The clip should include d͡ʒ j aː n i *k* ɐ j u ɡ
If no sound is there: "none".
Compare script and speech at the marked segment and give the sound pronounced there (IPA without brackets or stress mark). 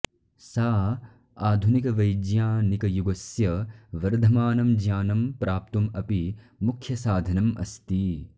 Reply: k